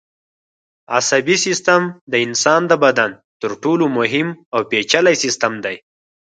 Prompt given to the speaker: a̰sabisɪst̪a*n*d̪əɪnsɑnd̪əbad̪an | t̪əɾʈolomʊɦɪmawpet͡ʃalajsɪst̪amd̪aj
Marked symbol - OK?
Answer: no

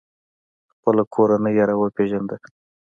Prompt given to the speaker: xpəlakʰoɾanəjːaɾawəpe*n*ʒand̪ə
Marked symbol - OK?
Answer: no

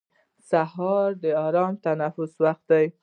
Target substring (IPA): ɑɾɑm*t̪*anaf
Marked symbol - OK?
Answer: yes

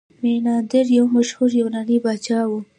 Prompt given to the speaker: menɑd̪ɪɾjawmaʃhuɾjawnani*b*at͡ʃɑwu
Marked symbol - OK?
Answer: yes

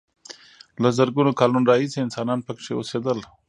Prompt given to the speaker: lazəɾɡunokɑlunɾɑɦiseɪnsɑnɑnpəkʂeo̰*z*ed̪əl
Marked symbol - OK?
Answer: no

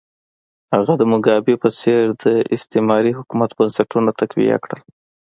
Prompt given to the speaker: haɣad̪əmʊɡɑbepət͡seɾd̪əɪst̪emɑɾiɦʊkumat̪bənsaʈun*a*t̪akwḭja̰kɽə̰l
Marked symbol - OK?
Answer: yes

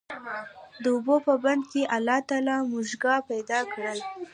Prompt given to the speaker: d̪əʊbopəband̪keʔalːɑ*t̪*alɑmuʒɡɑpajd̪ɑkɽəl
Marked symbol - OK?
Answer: yes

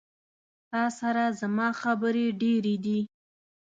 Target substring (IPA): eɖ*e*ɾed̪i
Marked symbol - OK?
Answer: yes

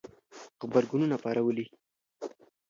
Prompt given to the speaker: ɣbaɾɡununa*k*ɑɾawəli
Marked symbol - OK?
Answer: no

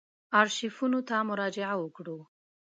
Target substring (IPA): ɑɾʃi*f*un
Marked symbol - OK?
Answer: yes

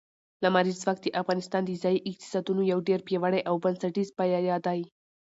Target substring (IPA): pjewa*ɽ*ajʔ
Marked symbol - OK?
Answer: yes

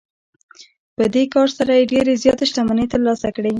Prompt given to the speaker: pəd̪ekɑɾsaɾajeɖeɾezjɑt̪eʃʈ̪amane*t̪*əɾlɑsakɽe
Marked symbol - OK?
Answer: yes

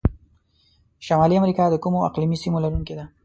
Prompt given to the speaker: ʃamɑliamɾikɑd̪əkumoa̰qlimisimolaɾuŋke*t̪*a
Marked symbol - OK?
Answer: no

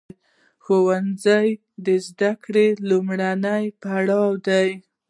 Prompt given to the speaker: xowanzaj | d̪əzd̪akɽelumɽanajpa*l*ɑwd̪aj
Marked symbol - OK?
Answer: no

